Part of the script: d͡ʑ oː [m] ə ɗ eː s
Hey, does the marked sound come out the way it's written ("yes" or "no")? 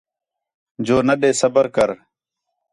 no